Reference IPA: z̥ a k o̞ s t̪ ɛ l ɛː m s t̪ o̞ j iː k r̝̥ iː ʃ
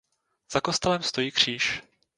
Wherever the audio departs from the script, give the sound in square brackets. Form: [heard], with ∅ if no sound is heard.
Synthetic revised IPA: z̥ a k o̞ s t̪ ɛ l [ɛ] m s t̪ o̞ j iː k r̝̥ iː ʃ